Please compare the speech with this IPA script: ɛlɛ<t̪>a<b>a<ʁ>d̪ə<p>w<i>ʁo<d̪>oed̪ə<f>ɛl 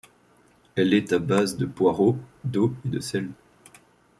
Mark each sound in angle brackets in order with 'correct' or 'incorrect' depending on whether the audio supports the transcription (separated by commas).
correct, correct, incorrect, correct, incorrect, correct, incorrect